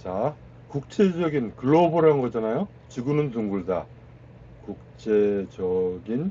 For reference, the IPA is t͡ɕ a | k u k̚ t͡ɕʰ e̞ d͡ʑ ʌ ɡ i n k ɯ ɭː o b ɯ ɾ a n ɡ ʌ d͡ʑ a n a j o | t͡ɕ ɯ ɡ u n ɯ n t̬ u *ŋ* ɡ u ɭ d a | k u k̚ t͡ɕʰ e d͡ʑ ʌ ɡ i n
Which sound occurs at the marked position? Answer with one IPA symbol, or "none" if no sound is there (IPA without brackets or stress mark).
ŋ